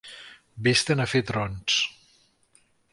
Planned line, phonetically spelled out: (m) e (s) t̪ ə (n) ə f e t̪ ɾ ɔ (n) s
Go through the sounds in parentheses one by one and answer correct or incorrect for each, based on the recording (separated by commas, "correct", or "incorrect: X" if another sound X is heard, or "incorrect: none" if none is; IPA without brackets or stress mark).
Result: incorrect: b, correct, correct, correct